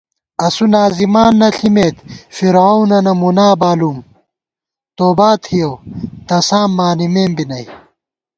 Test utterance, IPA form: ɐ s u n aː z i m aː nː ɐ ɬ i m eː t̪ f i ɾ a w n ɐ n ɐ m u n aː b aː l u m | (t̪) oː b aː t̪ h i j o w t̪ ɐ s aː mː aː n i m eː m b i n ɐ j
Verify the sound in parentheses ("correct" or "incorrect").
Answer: correct